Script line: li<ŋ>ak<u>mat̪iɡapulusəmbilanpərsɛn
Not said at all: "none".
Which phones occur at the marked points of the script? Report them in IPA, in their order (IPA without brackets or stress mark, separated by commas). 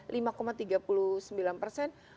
m, o